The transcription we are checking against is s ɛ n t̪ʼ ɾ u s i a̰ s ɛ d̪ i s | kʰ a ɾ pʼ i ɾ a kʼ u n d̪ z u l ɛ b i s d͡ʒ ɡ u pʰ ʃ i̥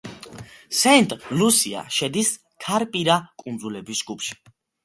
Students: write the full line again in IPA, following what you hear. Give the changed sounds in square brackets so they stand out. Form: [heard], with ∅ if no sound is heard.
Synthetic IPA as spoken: s ɛ n t̪ʼ [l] u s i a̰ [ʃ] ɛ d̪ i s | kʰ a ɾ pʼ i ɾ a kʼ u n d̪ z u l ɛ b i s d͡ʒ ɡ u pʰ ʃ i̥